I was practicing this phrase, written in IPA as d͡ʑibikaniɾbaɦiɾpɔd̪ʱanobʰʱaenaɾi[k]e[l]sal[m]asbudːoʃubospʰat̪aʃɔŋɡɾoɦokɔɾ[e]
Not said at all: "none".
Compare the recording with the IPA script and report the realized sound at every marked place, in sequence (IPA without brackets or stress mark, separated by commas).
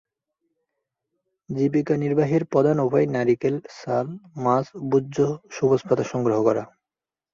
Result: k, l, m, a